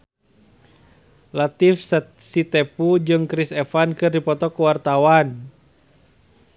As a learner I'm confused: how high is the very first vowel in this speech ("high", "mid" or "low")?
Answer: low